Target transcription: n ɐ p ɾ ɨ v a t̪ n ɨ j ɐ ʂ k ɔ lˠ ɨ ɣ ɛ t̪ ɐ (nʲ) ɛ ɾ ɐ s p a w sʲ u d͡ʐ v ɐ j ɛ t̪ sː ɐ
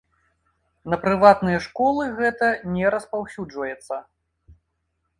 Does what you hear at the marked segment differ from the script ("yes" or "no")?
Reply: no